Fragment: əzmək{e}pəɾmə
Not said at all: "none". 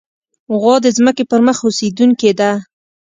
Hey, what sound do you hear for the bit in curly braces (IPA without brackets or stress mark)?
e